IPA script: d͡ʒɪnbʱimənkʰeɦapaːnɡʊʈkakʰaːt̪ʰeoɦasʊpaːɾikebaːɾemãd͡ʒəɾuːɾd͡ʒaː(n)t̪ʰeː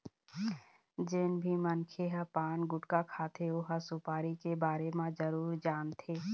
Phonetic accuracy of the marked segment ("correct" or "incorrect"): correct